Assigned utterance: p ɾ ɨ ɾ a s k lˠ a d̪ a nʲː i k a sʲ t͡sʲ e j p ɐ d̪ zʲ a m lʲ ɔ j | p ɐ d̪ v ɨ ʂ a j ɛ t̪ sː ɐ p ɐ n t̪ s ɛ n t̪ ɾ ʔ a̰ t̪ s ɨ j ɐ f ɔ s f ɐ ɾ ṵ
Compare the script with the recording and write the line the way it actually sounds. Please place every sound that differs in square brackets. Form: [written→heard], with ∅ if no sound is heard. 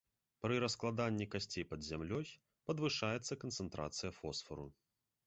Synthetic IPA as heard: p ɾ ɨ ɾ [a→ɐ] s k lˠ a d̪ a nʲː i k a sʲ t͡sʲ e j p ɐ d̪ zʲ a m lʲ ɔ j | p ɐ d̪ v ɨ ʂ a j ɛ t̪ sː ɐ [p→k] ɐ n t̪ s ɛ n t̪ ɾ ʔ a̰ t̪ s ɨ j ɐ f ɔ s f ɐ ɾ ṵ